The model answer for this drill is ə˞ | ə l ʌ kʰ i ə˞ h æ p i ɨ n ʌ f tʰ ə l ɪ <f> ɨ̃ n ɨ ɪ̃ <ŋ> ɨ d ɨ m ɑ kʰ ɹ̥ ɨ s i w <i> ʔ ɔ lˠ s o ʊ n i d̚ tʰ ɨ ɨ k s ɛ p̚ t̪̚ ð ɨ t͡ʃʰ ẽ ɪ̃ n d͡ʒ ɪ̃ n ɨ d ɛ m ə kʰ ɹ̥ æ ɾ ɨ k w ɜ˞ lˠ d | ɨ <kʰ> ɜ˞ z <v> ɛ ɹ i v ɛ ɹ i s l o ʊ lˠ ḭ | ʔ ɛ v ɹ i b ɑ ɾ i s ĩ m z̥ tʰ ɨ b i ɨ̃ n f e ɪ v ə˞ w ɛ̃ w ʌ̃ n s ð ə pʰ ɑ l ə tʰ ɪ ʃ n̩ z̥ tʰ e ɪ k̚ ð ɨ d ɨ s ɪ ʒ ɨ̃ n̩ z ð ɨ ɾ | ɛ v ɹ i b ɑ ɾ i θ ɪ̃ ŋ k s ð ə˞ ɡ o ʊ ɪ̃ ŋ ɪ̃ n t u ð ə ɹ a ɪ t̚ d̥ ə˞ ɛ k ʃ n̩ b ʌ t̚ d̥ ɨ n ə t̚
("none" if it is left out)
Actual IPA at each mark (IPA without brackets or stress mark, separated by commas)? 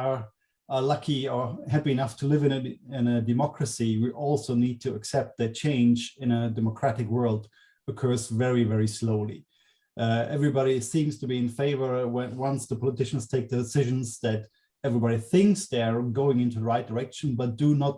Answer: v, n, i, kʰ, v